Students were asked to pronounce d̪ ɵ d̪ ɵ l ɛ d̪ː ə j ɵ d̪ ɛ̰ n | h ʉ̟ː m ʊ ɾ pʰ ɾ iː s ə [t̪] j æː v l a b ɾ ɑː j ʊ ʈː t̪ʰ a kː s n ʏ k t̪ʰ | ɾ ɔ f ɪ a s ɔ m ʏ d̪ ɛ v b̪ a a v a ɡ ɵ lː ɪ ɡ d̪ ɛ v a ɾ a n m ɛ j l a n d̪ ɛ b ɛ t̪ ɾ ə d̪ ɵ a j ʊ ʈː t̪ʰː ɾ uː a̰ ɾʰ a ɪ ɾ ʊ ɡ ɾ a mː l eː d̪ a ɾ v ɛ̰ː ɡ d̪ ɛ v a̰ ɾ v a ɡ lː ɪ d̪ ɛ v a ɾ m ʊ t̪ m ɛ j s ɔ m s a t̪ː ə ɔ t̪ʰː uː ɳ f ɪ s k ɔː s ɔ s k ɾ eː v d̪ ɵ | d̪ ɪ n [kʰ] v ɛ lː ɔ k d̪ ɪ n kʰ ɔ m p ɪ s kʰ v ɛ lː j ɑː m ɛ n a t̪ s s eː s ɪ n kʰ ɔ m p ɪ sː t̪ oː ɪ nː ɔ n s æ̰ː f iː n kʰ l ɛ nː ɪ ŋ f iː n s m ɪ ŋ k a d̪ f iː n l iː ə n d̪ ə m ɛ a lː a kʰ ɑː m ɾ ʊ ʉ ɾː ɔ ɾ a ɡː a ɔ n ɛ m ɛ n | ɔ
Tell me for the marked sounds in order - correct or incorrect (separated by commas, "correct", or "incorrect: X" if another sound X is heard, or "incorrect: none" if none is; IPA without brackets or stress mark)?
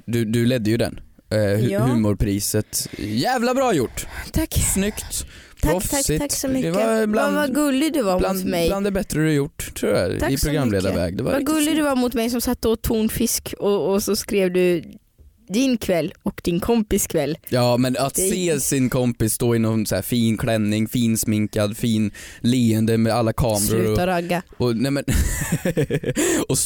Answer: correct, correct